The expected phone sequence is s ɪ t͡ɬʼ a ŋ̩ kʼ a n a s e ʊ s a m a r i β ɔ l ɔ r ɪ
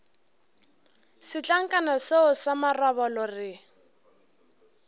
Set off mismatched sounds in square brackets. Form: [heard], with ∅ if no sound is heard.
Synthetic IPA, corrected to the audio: s ɪ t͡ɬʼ a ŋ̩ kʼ a n a s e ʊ s a m a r [a] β ɔ l ɔ r ɪ